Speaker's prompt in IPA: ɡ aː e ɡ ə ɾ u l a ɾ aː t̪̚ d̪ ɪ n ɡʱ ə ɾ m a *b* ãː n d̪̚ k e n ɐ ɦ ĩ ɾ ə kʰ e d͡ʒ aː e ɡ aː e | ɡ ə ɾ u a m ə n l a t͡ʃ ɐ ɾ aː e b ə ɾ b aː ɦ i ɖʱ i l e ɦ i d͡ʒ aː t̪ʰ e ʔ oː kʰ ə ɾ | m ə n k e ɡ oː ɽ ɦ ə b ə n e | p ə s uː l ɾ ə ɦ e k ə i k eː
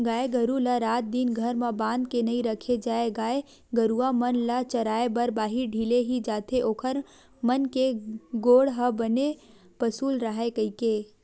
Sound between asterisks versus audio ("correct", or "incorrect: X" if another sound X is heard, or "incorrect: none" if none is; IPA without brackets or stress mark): correct